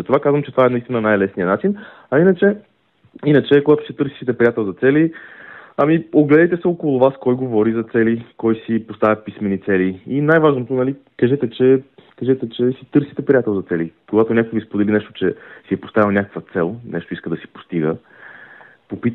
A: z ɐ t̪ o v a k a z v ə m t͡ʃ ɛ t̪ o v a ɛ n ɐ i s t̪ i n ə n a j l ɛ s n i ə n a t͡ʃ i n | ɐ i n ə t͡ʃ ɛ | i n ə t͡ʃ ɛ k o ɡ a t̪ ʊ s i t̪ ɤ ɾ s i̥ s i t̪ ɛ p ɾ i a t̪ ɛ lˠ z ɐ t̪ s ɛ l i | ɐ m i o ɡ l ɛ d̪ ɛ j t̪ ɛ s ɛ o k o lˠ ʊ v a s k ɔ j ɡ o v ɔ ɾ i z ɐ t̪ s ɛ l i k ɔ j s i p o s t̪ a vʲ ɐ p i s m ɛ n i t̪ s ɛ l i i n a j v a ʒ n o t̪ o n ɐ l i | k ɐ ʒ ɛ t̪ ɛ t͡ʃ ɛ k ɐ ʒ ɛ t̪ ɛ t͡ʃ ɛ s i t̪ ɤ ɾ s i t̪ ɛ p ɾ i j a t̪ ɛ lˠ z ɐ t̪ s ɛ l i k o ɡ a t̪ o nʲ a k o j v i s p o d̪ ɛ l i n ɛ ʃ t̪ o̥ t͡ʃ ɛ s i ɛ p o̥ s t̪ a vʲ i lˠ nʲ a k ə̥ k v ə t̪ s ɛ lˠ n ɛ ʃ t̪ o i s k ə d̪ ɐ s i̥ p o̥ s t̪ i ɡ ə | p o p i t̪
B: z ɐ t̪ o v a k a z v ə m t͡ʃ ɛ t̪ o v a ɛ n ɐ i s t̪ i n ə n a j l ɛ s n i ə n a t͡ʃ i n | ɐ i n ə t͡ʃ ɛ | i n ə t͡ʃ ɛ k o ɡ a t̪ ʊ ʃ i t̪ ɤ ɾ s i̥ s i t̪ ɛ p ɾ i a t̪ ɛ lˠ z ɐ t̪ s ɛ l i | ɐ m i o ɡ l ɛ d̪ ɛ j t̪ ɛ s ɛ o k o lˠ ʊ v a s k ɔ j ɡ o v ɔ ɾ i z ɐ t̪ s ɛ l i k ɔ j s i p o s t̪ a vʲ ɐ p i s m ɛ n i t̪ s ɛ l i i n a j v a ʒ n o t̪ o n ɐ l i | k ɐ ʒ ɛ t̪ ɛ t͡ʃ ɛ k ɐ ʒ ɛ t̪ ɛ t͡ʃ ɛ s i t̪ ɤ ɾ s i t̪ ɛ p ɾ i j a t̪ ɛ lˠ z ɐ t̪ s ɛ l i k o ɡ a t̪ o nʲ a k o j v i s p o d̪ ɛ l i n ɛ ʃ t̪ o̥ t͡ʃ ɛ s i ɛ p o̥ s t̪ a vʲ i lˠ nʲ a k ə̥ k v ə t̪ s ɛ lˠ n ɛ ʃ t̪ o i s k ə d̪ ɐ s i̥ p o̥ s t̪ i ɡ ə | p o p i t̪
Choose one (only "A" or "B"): A